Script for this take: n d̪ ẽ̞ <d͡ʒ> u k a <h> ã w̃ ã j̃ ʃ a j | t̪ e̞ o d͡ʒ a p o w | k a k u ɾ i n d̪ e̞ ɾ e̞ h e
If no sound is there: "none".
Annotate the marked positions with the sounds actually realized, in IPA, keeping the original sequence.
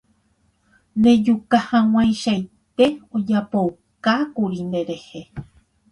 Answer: d͡ʒ, h

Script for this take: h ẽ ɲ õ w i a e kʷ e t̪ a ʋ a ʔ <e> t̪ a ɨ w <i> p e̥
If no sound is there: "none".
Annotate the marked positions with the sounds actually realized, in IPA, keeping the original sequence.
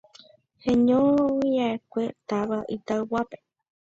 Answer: i, a

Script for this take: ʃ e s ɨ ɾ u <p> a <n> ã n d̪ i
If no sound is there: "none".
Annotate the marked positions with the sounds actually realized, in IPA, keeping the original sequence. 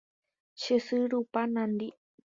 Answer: p, n

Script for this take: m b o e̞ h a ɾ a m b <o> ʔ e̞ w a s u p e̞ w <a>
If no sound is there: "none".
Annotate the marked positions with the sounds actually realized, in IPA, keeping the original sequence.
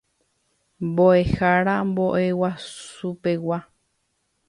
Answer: o, a

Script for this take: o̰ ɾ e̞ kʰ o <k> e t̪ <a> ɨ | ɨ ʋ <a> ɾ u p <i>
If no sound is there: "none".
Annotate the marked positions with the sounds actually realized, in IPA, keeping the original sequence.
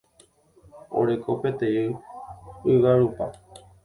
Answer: p, e, a, a

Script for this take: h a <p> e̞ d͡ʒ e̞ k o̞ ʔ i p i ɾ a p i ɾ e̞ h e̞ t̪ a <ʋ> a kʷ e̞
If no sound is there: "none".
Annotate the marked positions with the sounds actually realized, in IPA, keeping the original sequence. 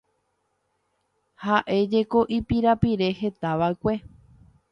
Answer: ʔ, ʋ

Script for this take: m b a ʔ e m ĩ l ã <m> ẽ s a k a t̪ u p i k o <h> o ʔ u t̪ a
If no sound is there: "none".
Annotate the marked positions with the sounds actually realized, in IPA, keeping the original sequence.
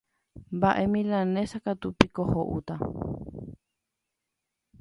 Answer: n, h

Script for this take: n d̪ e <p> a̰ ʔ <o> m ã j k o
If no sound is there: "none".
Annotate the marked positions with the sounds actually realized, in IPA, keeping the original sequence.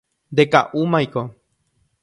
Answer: k, u

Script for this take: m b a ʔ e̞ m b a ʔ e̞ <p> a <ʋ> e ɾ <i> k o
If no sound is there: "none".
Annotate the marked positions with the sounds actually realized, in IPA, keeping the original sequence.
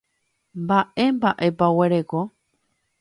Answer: p, w, e

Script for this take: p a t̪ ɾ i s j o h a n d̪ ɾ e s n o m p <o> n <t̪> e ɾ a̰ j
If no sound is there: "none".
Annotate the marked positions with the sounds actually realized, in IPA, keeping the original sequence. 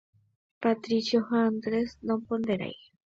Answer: o, d̪

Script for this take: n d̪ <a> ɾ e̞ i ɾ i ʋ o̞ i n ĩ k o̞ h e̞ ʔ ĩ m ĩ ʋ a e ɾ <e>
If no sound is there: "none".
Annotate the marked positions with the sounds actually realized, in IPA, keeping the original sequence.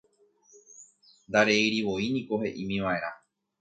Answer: a, a

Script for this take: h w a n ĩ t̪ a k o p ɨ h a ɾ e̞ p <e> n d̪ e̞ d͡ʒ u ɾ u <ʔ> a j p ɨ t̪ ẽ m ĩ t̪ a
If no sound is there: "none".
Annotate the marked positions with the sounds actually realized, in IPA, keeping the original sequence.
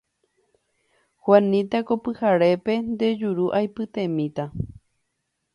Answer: e, ʔ

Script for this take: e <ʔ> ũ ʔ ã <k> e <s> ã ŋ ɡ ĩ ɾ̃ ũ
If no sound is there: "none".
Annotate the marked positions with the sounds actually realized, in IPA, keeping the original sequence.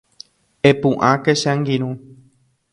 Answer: p, k, ʃ

